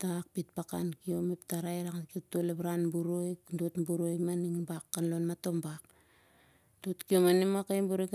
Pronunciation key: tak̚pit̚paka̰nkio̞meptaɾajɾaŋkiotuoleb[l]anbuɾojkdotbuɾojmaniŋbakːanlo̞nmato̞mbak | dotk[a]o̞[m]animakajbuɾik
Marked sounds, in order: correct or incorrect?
incorrect: ɾ, incorrect: i, correct

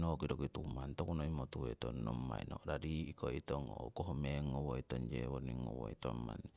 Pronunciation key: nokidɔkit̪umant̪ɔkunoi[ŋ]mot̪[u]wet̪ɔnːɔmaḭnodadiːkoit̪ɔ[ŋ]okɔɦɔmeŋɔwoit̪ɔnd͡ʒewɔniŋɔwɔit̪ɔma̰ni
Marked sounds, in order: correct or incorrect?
incorrect: none, correct, correct

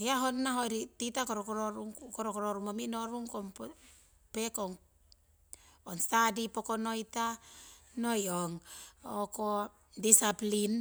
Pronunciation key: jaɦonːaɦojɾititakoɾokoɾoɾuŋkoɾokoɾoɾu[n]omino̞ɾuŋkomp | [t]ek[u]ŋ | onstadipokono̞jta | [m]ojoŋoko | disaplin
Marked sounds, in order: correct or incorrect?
incorrect: m, incorrect: p, incorrect: o, incorrect: n

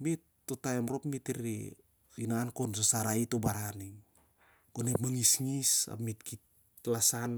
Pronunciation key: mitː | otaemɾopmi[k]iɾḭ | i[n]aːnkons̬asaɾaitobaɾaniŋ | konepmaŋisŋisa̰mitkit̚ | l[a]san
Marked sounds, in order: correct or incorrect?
incorrect: t, correct, correct

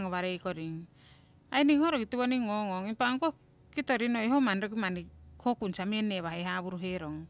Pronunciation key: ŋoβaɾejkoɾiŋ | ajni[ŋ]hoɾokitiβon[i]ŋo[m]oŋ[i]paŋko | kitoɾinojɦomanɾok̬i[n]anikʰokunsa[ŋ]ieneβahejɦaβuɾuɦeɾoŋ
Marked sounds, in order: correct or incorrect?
correct, correct, incorrect: ŋ, correct, incorrect: m, incorrect: m

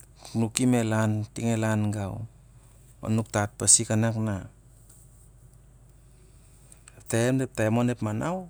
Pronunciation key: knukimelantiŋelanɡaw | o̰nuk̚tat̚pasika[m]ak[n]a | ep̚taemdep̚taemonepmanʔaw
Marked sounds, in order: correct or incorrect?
incorrect: n, correct

